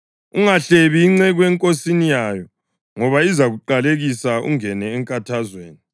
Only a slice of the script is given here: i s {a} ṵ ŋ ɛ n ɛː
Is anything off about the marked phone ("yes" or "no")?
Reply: no